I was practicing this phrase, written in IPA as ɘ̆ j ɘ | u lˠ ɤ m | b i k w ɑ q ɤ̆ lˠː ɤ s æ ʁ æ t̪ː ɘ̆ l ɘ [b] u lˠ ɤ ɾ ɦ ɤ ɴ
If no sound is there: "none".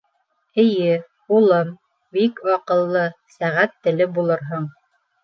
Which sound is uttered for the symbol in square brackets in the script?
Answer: b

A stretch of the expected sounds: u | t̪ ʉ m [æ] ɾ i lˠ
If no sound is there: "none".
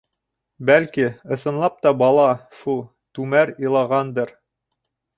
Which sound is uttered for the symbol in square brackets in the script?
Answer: æ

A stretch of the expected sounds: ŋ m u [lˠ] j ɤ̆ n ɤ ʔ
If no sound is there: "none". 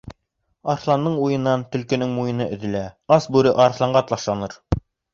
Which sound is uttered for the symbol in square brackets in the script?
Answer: none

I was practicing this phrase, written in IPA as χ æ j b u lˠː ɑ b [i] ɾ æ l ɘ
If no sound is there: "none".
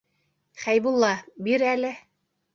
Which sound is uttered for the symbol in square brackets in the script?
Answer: i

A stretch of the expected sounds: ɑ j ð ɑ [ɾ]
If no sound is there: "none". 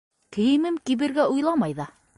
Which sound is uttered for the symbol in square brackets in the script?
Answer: none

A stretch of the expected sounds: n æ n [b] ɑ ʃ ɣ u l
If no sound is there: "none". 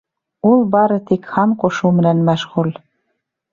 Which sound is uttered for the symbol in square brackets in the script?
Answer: m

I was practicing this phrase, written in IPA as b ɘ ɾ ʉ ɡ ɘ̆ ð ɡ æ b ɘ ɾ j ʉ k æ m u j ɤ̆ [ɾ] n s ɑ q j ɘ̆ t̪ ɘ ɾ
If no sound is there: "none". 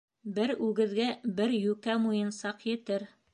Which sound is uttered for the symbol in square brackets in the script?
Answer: none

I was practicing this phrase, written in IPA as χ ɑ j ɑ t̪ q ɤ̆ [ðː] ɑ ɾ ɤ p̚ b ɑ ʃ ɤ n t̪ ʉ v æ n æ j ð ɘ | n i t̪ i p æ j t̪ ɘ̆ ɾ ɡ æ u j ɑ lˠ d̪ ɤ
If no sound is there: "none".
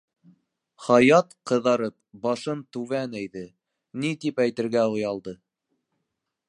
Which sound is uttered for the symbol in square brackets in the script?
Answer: ð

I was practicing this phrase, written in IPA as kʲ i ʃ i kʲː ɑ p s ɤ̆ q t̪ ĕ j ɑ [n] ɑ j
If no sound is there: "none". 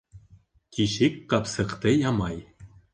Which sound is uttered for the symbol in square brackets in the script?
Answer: m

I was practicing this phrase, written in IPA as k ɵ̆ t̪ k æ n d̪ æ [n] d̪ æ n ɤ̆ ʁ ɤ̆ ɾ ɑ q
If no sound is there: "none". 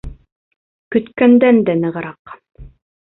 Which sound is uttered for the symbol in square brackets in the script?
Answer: n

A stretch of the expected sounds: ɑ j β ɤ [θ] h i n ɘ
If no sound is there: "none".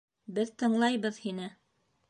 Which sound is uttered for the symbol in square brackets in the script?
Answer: ð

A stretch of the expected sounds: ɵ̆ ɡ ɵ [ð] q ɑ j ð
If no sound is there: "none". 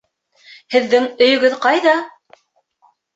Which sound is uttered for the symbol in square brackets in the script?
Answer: ð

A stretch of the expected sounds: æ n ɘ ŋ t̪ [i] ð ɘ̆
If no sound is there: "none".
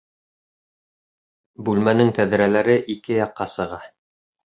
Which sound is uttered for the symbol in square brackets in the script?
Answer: æ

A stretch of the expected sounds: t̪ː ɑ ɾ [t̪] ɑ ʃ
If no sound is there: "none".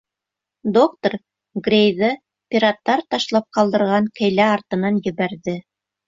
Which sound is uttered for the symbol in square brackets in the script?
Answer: t̪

